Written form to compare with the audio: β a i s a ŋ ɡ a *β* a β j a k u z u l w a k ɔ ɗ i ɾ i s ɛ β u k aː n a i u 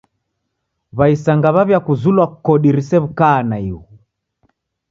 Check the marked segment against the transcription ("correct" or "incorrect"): correct